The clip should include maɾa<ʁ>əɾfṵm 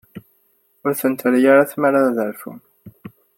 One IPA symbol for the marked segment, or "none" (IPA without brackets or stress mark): ð